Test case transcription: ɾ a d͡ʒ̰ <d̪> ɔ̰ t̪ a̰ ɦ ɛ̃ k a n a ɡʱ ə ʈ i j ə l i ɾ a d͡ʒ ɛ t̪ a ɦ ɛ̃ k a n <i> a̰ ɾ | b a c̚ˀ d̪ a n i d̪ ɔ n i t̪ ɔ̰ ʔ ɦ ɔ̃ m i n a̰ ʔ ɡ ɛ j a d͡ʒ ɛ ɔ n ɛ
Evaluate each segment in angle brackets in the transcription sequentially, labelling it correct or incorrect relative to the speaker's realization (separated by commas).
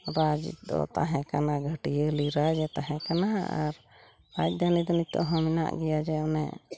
correct, incorrect